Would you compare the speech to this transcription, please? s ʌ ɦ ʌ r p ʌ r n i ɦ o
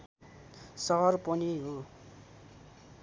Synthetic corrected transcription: s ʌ ɦ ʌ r p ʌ n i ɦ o